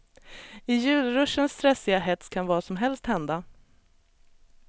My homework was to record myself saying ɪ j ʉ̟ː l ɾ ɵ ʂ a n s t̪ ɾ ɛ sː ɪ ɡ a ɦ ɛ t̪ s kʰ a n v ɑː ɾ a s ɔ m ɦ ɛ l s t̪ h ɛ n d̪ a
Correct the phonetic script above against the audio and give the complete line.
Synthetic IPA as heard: ɪ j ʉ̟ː l ɾ ɵ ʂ ə n s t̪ ɾ ɛ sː ɪ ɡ a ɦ ɛ t̪ s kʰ a n v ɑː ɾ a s ɔ m ɦ ɛ l s t̪ h ɛ n d̪ a